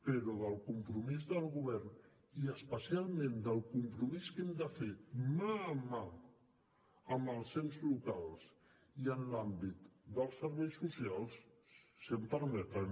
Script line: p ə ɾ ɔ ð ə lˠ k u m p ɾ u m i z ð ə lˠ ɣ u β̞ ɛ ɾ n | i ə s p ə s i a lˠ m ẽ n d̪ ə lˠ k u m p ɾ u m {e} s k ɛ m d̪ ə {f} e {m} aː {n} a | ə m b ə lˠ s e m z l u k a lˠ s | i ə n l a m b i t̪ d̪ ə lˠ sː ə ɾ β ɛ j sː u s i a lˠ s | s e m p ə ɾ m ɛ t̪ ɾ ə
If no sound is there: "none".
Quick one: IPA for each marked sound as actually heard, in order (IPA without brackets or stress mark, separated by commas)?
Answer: i, f, m, m